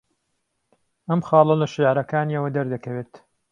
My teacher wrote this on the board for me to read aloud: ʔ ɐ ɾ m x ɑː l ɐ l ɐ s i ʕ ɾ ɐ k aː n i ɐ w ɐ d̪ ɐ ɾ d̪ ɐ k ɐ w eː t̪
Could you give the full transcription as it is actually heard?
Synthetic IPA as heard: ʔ ɐ m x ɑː l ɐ l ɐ ʃ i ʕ ɾ ɐ k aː n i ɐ w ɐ d̪ ɐ ɾ d̪ ɐ k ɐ w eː t̪